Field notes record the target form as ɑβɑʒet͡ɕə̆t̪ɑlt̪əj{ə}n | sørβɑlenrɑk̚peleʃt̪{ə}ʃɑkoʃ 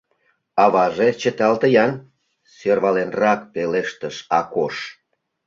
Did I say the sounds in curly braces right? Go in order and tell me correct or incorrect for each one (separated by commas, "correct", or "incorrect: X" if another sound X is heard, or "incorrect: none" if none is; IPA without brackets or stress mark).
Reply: incorrect: ɑ, correct